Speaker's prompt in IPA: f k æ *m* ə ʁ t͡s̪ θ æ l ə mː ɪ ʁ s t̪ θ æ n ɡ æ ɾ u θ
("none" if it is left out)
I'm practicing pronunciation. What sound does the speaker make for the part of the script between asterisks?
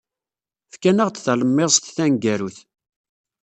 n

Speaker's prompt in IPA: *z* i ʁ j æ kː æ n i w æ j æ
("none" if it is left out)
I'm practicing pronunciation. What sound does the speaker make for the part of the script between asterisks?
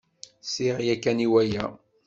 s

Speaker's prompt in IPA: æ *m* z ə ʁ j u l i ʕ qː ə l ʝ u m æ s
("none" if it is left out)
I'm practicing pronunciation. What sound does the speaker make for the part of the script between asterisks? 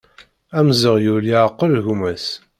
m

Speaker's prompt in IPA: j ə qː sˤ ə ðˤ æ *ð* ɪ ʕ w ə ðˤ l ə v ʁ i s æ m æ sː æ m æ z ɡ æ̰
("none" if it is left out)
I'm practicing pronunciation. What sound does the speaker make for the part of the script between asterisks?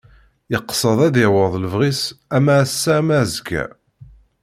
ð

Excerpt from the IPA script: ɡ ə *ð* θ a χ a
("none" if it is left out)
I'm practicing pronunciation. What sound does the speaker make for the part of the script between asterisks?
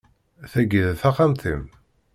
ð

